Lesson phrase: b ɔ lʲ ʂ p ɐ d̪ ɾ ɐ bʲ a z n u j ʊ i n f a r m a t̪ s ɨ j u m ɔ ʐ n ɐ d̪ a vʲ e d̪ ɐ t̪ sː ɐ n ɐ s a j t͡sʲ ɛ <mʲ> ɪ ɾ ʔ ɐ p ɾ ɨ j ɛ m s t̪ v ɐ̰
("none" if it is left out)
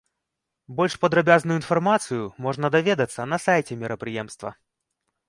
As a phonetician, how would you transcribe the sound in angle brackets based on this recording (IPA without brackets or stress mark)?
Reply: mʲ